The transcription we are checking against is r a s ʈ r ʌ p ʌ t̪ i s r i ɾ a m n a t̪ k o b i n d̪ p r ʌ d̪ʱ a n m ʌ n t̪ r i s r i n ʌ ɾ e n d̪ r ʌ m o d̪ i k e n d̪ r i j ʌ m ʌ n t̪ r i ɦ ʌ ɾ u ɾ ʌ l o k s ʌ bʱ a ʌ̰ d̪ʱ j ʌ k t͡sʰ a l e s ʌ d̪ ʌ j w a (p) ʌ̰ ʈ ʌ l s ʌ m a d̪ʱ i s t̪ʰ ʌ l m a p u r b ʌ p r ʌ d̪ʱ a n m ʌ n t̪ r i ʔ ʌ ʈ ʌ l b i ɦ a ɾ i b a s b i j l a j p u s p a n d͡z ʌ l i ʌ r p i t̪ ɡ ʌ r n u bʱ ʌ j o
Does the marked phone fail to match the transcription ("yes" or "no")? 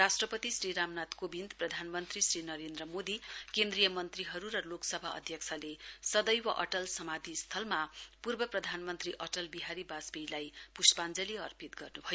yes